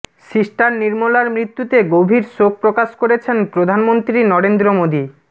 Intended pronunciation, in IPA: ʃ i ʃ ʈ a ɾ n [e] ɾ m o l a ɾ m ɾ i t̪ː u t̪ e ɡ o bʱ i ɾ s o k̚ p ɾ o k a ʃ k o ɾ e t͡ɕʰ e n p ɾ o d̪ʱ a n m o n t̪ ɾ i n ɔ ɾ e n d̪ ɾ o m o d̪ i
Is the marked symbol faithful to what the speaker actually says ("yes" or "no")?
no